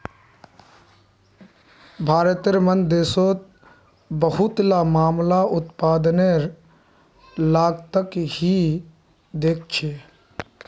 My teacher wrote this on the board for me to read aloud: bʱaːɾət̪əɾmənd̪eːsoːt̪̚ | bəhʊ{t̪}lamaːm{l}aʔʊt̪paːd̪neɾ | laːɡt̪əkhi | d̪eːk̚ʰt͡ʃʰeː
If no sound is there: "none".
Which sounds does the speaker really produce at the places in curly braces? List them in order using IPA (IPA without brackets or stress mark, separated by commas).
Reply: t̪, l